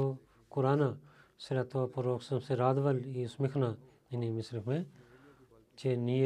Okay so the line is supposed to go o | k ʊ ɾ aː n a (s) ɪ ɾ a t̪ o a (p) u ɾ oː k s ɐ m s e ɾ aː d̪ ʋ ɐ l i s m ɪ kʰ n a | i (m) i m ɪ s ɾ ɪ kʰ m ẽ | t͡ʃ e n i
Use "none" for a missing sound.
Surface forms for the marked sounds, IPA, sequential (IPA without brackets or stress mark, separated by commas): s, p, n